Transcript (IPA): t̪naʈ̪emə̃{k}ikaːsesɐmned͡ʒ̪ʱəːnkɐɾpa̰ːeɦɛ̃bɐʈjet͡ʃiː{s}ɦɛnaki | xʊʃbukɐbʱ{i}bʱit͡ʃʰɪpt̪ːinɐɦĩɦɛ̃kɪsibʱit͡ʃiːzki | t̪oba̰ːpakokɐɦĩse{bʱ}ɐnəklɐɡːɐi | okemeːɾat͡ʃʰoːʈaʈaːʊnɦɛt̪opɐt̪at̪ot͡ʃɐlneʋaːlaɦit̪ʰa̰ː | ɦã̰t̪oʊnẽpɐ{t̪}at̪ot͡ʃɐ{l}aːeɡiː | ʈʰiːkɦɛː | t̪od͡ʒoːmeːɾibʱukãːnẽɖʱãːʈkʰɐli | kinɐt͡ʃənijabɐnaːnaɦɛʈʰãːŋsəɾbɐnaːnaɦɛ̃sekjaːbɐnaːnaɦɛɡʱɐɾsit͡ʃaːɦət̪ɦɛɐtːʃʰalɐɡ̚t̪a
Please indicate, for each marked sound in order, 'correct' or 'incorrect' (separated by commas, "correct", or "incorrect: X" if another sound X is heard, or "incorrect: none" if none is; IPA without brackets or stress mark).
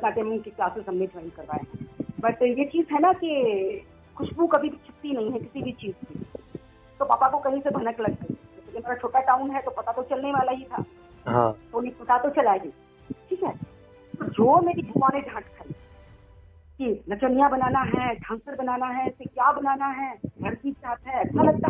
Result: correct, incorrect: z, correct, correct, correct, correct